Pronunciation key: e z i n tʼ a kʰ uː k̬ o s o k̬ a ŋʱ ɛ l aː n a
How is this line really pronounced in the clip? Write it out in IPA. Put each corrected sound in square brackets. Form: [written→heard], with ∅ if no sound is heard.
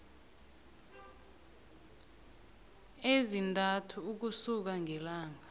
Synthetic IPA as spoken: e z i n tʼ a [kʰ→tʰ] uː k̬ [o→u] s [o→u] k̬ a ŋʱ ɛ l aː [n→ŋ] a